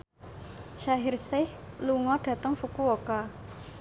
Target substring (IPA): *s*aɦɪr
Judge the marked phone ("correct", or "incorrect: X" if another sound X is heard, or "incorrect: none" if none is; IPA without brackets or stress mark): incorrect: ʃ